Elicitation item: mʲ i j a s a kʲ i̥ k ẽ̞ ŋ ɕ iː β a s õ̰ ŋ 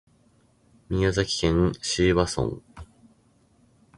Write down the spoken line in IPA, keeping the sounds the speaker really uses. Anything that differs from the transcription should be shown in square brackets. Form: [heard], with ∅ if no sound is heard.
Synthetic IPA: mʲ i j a [z] a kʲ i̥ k ẽ̞ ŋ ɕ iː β a s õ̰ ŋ